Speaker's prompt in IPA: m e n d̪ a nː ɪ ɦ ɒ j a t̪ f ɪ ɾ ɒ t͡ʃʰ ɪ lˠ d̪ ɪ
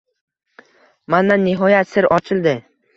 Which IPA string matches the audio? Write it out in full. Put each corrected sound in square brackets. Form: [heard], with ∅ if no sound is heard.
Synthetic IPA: m [a] n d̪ a nː ɪ ɦ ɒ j a t̪ [s] ɪ ɾ ɒ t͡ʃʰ ɪ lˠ d̪ ɪ